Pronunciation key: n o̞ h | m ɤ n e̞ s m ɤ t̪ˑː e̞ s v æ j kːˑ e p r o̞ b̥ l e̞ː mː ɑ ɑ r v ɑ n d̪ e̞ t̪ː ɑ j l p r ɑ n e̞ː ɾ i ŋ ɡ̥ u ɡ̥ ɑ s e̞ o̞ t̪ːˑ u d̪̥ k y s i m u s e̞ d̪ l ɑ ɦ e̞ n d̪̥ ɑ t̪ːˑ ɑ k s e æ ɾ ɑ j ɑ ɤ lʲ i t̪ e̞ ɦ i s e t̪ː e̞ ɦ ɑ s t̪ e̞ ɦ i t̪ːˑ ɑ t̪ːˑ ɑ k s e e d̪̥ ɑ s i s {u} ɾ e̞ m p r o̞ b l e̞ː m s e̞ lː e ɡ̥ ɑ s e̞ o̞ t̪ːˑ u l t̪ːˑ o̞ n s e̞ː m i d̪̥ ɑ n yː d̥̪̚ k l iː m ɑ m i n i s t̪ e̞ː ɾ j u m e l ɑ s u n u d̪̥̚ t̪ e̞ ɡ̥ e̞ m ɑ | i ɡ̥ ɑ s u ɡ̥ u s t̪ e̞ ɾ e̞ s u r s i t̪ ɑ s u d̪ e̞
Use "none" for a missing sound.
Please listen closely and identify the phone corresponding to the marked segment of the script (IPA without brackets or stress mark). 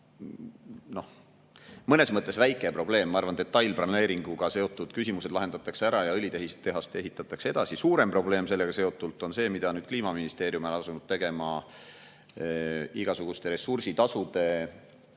uː